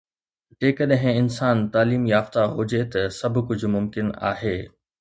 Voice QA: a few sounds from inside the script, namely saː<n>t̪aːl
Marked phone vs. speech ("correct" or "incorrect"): correct